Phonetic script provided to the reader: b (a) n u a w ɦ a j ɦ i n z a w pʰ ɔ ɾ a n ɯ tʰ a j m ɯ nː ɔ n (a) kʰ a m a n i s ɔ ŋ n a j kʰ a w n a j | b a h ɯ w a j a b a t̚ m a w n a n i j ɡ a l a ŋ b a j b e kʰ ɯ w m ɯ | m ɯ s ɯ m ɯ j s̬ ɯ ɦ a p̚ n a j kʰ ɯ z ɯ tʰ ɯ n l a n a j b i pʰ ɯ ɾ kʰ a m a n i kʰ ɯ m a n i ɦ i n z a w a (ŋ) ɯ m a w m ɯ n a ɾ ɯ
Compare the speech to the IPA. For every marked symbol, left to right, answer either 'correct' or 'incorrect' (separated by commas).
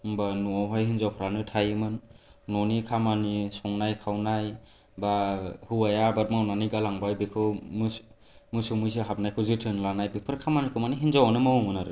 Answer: correct, incorrect, incorrect